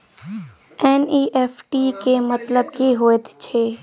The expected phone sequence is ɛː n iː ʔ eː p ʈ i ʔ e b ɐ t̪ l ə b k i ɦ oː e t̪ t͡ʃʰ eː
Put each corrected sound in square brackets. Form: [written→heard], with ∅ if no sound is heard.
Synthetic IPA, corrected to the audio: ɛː n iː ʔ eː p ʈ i [ʔ→k] e [b→m] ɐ t̪ l ə b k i ɦ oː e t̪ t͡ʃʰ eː